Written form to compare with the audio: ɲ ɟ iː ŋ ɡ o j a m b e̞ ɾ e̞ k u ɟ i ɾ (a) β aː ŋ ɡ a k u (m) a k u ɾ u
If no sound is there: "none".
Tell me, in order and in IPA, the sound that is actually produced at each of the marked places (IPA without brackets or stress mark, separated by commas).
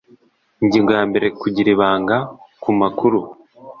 i, m